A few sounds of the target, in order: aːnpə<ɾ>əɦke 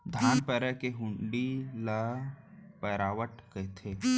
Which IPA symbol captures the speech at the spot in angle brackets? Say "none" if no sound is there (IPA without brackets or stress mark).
ɾ